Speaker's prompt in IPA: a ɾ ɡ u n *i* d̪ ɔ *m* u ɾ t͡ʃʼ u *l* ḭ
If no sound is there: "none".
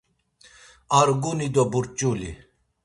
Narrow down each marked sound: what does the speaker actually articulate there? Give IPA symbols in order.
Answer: i, b, l

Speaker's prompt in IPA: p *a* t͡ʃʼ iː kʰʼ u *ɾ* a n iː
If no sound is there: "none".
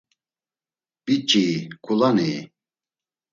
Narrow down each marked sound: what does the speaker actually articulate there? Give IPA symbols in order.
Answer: i, l

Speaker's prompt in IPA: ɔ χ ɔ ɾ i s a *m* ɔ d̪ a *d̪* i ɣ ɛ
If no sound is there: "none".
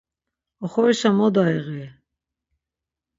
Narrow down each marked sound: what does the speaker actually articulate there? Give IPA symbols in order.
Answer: m, none

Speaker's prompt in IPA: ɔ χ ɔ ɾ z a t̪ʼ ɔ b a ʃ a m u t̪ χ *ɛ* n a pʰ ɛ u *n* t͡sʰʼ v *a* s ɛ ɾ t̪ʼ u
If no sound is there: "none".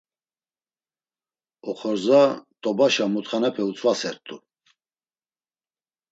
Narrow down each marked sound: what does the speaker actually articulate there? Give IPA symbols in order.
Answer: a, none, a

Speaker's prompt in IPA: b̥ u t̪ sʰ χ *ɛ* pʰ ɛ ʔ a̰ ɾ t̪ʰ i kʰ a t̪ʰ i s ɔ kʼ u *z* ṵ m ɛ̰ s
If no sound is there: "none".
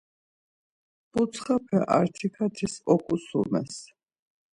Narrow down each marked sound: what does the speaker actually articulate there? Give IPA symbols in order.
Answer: a, s

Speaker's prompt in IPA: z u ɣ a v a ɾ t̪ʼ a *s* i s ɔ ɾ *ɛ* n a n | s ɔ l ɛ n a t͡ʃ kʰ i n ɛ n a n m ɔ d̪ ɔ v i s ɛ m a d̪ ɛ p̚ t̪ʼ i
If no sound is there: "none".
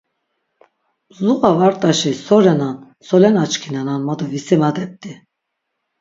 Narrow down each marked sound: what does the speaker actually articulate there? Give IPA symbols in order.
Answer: ʃ, ɛ

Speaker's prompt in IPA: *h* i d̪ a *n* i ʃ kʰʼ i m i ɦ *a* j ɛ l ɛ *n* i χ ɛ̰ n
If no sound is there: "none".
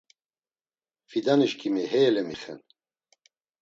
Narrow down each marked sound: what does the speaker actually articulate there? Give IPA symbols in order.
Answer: f, n, ɛ, m

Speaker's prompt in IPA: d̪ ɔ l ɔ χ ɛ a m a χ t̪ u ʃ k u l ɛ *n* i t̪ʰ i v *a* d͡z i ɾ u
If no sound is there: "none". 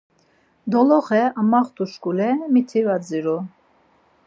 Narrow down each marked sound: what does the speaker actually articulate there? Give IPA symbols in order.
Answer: m, a

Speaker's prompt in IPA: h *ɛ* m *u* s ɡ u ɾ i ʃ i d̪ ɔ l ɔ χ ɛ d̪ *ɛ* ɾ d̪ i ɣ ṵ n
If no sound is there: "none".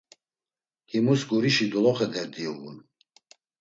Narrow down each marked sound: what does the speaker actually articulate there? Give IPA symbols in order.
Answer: i, u, ɛ

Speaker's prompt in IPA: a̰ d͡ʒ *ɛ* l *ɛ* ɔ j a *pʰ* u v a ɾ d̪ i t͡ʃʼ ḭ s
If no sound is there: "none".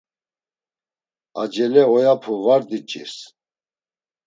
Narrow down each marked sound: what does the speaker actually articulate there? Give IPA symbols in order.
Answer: ɛ, ɛ, pʰ

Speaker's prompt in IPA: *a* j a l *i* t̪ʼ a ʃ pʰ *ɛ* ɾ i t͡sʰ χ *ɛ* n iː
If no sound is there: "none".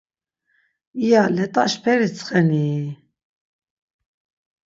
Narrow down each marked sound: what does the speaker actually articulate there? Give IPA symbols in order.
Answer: i, ɛ, ɛ, ɛ

